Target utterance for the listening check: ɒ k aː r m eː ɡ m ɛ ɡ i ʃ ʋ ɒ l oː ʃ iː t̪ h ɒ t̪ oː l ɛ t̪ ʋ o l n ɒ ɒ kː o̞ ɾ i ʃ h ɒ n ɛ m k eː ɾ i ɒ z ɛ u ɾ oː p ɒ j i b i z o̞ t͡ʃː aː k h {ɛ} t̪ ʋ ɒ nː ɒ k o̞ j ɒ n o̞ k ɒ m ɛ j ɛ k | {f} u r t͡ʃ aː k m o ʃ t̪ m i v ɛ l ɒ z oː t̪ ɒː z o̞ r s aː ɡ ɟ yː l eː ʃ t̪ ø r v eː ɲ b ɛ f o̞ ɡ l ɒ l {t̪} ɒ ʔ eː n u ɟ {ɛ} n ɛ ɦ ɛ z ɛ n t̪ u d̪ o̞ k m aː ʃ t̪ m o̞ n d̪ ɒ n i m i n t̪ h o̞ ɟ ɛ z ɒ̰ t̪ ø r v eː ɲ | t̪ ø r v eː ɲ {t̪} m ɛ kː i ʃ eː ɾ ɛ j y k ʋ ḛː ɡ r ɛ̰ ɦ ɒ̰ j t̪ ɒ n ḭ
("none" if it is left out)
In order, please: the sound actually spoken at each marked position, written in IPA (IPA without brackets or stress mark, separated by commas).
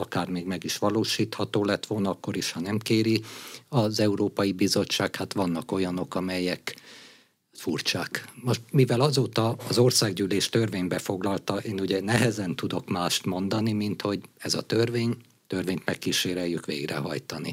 a, f, t̪, ɛ, t̪